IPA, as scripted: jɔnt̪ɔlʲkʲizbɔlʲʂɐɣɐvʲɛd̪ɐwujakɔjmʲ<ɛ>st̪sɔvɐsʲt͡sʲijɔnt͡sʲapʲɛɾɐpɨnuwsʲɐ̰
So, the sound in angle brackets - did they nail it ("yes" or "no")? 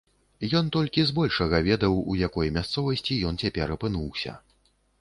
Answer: no